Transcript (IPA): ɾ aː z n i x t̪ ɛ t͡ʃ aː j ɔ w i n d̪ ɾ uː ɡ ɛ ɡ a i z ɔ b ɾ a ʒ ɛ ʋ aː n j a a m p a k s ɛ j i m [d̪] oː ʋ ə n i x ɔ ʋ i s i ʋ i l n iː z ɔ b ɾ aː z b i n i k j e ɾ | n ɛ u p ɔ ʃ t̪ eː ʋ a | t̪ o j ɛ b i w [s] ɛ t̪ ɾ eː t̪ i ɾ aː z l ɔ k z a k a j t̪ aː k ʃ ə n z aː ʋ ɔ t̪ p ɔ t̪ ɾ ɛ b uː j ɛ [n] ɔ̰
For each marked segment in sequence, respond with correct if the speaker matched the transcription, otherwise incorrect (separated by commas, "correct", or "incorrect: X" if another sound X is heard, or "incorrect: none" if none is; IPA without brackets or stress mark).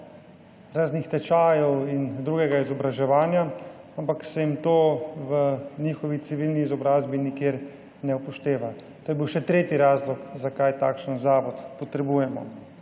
incorrect: t̪, incorrect: ʃ, incorrect: m